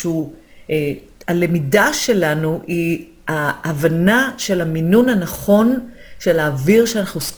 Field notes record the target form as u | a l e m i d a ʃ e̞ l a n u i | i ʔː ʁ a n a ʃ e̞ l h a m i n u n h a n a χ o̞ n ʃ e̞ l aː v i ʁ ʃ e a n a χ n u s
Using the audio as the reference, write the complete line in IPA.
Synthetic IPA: u | a l e m i d a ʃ e̞ l a n u i | a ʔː v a n a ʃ e̞ l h a m i n u n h a n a χ o̞ n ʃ e̞ l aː v i ʁ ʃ e a n a χ n u s